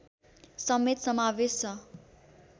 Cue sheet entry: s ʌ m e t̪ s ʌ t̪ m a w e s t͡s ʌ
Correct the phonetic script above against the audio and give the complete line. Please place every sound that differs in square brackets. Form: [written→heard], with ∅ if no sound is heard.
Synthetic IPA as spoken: s ʌ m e t̪ s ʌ [t̪→∅] m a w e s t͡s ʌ